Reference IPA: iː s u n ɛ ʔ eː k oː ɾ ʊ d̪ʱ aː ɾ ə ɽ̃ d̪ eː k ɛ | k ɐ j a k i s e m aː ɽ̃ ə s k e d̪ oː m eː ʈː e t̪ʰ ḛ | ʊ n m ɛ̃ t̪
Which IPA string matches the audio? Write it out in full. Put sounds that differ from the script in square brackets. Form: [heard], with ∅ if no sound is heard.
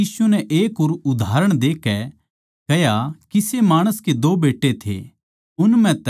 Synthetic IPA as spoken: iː s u n ɛ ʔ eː k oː ɾ ʊ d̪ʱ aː ɾ ə ɽ̃ d̪ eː k ɛ | k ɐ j a k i s e m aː ɽ̃ ə s k e d̪ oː [b] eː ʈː e t̪ʰ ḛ | ʊ n m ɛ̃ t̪

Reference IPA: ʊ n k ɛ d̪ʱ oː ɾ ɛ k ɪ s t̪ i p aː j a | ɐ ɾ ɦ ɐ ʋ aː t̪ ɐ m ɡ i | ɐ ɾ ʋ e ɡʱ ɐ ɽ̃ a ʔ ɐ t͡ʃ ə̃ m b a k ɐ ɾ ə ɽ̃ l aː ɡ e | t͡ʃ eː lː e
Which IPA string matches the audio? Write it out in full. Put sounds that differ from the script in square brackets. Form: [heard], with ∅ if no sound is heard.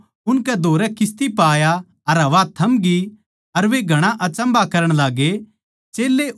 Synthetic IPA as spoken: ʊ n k ɛ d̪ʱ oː ɾ ɛ k ɪ s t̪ i p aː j a | ɐ ɾ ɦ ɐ ʋ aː [t̪ʰ] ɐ m ɡ i | ɐ ɾ ʋ e ɡʱ ɐ ɽ̃ a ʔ ɐ t͡ʃ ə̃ m b a k ɐ ɾ ə ɽ̃ l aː ɡ e | t͡ʃ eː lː e

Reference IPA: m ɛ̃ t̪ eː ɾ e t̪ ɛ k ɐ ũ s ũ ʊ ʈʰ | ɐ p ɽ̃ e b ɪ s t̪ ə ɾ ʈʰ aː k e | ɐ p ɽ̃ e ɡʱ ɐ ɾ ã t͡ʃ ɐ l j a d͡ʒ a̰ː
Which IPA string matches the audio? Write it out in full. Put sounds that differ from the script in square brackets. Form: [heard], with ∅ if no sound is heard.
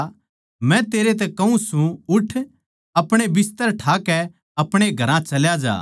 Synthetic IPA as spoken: m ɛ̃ t̪ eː ɾ e t̪ ɛ k ɐ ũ s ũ ʊ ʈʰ | ɐ p ɽ̃ e b ɪ s t̪ ə ɾ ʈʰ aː k [ɛ] | ɐ p ɽ̃ e ɡʱ ɐ ɾ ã t͡ʃ ɐ l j a d͡ʒ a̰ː

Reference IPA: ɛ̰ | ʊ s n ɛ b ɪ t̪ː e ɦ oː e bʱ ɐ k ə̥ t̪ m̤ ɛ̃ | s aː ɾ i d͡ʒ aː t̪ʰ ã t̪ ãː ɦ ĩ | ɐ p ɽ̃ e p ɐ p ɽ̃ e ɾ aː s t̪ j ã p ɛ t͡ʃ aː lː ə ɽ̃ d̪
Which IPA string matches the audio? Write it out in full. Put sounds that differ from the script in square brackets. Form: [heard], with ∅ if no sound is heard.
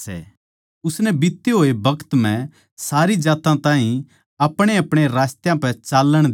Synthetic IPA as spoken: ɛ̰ | ʊ s n ɛ b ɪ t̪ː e ɦ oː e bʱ ɐ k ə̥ t̪ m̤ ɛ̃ | s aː ɾ i d͡ʒ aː [t̪] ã t̪ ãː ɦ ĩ | ɐ p ɽ̃ e [∅] ɐ p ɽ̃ e ɾ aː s t̪ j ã p ɛ t͡ʃ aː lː ə ɽ̃ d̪

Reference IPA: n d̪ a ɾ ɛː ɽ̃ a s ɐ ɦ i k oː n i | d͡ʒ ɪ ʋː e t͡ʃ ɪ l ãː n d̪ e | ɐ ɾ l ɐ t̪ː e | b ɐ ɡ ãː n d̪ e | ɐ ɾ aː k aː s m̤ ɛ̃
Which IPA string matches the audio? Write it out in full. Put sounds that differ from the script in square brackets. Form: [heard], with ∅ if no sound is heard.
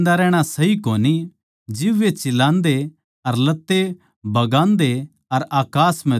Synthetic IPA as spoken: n d̪ a ɾ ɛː ɽ̃ a s ɐ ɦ i k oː n i | d͡ʒ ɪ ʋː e t͡ʃ ɪ l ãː n d̪ e | ɐ ɾ l ɐ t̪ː e | b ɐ ɡ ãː n d̪ e | ɐ ɾ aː k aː s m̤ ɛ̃

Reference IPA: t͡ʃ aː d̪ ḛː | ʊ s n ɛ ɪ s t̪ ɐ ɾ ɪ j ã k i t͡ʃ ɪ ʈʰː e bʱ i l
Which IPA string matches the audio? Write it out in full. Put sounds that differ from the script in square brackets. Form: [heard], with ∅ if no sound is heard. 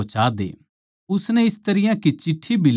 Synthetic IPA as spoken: t͡ʃ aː d̪ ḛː | ʊ s n ɛ ɪ s t̪ ɐ ɾ ɪ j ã k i t͡ʃ ɪ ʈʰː [i] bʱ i l

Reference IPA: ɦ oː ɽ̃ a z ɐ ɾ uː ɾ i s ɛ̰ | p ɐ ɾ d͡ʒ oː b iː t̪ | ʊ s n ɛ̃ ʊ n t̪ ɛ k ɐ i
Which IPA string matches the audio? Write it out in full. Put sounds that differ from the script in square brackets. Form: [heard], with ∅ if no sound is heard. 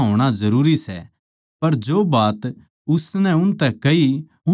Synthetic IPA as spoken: ɦ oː ɽ̃ a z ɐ ɾ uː ɾ i s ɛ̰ | p ɐ ɾ d͡ʒ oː b [aː] t̪ | ʊ s n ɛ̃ ʊ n t̪ ɛ k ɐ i

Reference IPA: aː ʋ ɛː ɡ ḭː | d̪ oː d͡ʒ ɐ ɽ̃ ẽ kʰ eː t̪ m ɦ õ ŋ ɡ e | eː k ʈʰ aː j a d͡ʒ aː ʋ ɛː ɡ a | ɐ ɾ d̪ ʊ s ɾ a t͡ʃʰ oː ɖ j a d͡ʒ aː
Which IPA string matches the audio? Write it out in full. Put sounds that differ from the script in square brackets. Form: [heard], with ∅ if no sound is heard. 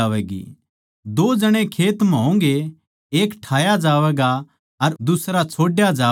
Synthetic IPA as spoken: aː ʋ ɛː ɡ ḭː | d̪ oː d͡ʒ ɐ ɽ̃ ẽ kʰ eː t̪ m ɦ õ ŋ ɡ e | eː k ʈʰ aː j a d͡ʒ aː ʋ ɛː ɡ a | ɐ ɾ d̪ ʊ s ɾ a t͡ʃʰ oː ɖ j a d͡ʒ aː

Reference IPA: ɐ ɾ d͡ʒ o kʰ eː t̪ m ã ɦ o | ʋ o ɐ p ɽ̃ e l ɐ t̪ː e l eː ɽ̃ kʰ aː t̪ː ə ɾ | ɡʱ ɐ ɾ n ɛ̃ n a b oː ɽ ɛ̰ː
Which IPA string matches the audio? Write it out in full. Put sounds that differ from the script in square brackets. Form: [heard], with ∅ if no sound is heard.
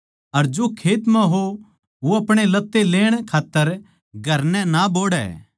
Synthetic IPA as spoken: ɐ ɾ d͡ʒ o kʰ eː t̪ m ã ɦ o | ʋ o ɐ p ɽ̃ e l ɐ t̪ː e l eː ɽ̃ kʰ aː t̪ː ə ɾ | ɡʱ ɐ ɾ n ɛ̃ n a b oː ɽ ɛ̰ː

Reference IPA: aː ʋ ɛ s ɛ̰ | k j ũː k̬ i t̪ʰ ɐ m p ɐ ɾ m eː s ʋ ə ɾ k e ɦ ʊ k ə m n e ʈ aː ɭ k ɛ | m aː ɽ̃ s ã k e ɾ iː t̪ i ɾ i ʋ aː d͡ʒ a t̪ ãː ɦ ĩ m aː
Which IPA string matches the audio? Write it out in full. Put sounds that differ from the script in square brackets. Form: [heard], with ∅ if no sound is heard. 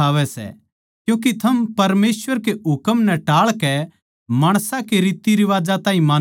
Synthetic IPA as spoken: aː ʋ ɛ s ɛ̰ | k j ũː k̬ i t̪ʰ ɐ m p ɐ ɾ m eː s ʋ ə ɾ k e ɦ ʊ k ə m n [ɛ] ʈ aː ɭ k ɛ | m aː ɽ̃ s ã k e ɾ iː t̪ i ɾ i ʋ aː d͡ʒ a t̪ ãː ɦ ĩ m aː

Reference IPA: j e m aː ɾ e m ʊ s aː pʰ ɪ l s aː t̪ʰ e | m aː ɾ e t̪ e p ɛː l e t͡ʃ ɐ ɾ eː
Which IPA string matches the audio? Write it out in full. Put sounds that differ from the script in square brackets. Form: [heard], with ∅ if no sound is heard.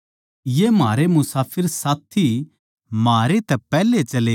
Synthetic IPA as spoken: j e m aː ɾ e m ʊ s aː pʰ ɪ [ɾ] s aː t̪ʰ [i] | m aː ɾ e t̪ [ɛ] p ɛː l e t͡ʃ ɐ [l] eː

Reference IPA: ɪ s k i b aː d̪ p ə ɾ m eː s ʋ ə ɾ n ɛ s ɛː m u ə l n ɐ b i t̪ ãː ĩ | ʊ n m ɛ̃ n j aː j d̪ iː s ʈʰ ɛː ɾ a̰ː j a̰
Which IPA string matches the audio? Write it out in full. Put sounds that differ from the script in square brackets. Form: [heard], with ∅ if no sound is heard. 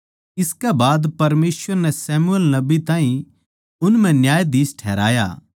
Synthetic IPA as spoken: ɪ s k [ɛ] b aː d̪ p [ɐ] ɾ m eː s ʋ ə ɾ n ɛ s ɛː m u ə l n ɐ b i t̪ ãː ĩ | ʊ n m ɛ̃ n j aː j d̪ iː s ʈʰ ɛː ɾ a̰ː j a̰

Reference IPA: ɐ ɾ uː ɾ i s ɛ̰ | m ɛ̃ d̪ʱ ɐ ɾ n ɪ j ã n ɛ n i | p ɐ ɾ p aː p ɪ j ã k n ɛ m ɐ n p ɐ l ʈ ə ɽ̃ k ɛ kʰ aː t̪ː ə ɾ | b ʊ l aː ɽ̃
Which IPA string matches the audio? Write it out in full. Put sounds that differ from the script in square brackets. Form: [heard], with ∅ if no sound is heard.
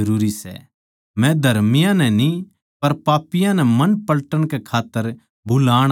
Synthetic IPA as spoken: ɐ ɾ uː ɾ i s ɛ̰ | m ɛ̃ d̪ʱ ɐ ɾ [m] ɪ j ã n ɛ n i | p ɐ ɾ p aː p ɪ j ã [∅] n ɛ m ɐ n p ɐ l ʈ ə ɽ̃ k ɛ kʰ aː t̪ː ə ɾ | b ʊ l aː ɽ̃

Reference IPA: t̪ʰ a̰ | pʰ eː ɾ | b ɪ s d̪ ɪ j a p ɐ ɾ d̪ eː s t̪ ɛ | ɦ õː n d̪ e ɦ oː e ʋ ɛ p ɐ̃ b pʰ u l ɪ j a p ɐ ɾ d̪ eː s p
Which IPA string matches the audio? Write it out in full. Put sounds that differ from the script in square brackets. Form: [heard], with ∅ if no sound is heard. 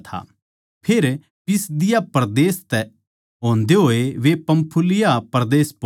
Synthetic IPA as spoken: t̪ʰ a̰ | pʰ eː ɾ | [p] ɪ s d̪ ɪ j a p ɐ ɾ d̪ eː s t̪ ɛ | ɦ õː n d̪ e ɦ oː e ʋ [e] p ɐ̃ [m] pʰ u l ɪ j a p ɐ ɾ d̪ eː s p

